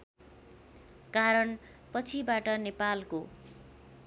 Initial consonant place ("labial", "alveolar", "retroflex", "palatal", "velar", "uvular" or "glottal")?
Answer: velar